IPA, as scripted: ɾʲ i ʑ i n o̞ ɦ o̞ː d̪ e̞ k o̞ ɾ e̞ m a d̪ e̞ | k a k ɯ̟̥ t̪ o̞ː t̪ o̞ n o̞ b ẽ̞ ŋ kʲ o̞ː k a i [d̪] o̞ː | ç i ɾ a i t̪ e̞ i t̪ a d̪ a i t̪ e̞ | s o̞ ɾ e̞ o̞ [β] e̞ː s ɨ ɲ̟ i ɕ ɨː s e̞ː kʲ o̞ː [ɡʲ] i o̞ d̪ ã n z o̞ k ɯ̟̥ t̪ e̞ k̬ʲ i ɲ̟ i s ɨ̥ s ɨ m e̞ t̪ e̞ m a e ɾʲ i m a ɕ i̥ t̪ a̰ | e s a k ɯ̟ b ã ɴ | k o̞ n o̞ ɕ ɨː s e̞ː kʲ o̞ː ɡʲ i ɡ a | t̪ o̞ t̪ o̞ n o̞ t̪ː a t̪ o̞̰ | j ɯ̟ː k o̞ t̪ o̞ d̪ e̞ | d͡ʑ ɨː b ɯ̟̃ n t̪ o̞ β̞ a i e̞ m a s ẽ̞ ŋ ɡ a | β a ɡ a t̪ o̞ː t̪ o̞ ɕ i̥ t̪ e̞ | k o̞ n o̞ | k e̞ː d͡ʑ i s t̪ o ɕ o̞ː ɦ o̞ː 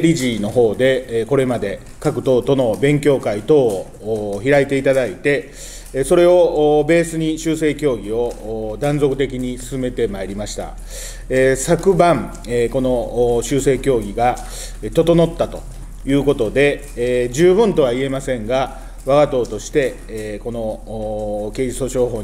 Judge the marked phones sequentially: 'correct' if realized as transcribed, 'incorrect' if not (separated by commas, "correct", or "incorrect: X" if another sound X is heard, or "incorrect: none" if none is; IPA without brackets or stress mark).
incorrect: t̪, incorrect: b, correct